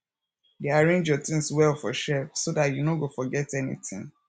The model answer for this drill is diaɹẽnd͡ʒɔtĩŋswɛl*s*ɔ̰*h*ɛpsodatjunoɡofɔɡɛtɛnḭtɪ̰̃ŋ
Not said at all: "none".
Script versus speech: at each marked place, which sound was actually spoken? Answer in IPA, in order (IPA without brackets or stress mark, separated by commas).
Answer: f, ʃ